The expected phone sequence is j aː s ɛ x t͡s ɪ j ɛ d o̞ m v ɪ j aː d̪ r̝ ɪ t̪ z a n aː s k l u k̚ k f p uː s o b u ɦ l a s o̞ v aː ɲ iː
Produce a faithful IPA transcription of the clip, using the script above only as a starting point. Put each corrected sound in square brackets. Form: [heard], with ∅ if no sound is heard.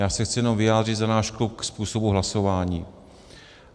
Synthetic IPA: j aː s ɛ x t͡s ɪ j ɛ [n] o̞ m v ɪ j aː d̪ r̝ ɪ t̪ z a n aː [ʃ] k l u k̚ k [s] p uː s o b u ɦ l a s o̞ v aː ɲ iː